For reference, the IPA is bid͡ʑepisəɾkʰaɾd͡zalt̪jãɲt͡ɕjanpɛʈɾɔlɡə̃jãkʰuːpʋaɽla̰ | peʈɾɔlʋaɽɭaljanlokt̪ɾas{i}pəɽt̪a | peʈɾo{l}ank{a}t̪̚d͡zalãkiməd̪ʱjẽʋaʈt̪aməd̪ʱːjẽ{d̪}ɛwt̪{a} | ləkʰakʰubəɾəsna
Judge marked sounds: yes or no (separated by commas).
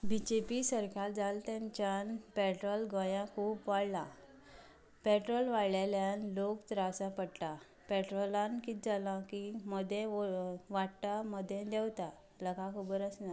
no, yes, no, yes, yes